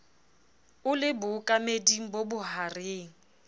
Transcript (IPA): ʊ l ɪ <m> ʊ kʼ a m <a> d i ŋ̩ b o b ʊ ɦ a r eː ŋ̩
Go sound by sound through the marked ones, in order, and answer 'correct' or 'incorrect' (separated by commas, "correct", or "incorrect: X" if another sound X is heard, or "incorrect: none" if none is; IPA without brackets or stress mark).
incorrect: b, incorrect: e